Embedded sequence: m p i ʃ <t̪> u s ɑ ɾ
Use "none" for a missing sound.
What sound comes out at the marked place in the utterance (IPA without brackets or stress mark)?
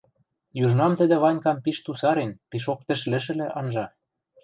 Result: t̪